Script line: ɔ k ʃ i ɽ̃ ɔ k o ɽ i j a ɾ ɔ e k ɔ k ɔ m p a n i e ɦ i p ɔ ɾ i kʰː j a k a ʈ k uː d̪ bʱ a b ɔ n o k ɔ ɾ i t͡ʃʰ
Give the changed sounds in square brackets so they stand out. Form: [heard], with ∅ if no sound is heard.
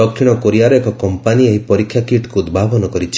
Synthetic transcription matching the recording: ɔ k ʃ i ɽ̃ ɔ k o [ɾ] i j a ɾ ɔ e k ɔ k ɔ m p a n i e ɦ i p ɔ ɾ i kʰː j a k [i] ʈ k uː d̪ bʱ a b ɔ n [ɔ] k ɔ ɾ i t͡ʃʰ